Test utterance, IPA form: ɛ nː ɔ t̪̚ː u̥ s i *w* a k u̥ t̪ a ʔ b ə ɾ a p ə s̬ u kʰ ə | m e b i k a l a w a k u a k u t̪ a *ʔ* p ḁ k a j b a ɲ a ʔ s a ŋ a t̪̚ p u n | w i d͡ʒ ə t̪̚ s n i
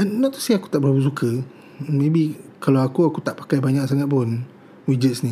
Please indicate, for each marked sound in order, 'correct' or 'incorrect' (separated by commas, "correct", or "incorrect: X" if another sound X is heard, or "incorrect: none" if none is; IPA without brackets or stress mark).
incorrect: none, correct